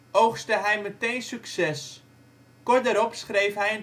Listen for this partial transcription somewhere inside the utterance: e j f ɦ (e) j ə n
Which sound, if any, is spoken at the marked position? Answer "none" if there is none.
ɛ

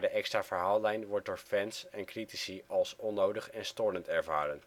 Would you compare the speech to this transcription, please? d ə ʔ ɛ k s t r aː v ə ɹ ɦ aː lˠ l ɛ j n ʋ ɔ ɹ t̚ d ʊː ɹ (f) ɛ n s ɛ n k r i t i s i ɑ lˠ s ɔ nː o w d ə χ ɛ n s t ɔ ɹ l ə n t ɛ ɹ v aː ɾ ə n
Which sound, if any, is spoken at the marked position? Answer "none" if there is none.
f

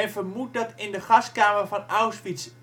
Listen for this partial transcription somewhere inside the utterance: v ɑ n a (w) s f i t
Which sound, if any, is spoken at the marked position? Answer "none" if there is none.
w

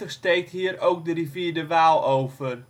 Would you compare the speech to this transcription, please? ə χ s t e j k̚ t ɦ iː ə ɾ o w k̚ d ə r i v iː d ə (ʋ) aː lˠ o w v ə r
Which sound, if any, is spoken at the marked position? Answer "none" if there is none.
ʋ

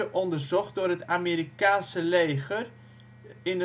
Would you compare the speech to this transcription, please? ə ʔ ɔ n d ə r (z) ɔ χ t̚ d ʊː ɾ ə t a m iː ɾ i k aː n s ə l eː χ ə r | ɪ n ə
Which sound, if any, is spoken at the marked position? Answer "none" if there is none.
z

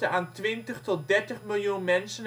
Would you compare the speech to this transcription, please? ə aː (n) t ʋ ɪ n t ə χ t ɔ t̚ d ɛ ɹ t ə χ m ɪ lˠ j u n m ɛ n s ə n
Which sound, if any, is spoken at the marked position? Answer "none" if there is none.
n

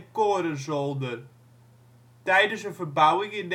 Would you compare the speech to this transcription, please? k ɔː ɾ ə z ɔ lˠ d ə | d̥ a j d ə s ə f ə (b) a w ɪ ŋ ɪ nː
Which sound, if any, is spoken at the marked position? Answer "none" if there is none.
b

